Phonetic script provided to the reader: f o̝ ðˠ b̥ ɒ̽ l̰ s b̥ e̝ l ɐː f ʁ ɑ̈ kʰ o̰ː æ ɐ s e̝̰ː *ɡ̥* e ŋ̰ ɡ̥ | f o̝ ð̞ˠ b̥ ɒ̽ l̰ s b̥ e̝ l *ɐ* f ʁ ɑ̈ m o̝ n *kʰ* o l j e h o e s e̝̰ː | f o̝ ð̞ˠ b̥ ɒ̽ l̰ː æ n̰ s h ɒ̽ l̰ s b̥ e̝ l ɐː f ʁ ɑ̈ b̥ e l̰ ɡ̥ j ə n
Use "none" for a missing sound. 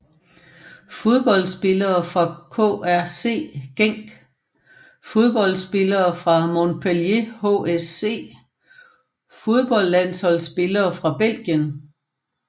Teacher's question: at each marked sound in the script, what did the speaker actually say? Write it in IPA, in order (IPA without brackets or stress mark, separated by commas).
ɡ̥, ɐː, pʰ